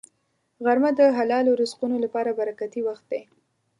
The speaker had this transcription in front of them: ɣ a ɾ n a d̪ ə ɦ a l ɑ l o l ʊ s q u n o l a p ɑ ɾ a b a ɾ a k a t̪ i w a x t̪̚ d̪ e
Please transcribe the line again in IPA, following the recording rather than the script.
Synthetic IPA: ɣ a ɾ m a d̪ ə ɦ a l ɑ l o ɾ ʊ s q u n o l a p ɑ ɾ a b a ɾ a k a t̪ i w a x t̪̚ d̪ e